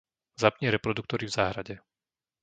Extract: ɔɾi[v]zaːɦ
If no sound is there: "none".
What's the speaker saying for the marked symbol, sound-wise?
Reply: v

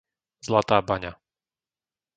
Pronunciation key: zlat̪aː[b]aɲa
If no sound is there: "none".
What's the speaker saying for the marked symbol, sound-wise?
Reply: b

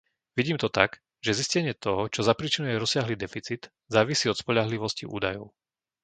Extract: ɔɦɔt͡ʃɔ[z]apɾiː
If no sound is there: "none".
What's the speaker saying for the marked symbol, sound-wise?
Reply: z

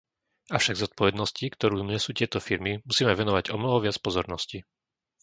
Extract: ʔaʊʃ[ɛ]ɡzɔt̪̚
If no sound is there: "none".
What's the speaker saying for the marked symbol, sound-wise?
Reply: a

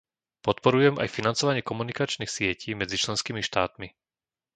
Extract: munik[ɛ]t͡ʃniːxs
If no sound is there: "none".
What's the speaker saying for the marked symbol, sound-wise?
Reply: a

